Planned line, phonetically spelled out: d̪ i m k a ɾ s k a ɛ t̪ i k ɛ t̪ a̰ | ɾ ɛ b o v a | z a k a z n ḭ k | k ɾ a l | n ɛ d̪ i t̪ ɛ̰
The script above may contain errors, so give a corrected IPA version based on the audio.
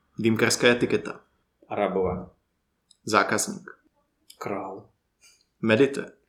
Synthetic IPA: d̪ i m k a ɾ s k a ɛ t̪ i k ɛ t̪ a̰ | ɾ a b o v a | z a k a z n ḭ k | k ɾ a l | m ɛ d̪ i t̪ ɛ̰